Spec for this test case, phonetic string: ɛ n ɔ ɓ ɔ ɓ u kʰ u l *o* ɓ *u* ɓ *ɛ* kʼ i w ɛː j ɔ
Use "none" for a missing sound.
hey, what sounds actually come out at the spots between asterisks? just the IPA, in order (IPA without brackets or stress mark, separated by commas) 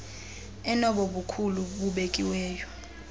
u, u, e